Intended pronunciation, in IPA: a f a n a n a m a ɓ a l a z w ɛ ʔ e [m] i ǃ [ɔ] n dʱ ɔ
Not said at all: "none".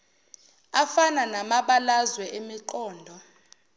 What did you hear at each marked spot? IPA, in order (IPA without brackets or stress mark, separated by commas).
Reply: m, ɔː